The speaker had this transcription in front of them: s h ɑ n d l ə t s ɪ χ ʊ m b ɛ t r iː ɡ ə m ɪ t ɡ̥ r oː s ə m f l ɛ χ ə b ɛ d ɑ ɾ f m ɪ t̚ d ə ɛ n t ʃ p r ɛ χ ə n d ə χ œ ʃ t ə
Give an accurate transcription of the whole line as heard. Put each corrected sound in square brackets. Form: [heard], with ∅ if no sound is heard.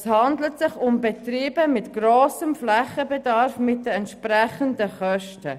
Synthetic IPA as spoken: s h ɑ n d l ə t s ɪ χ ʊ m b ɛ t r iː [b] ə m ɪ t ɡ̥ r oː s ə m f l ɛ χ ə b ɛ d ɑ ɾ f m ɪ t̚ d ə ɛ n t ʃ p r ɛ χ ə n d ə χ œ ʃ t ə